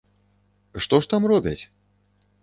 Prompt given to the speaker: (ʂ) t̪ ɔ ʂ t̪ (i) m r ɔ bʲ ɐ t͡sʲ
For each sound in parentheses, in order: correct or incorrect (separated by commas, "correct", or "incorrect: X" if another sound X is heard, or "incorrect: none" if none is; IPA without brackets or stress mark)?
correct, incorrect: a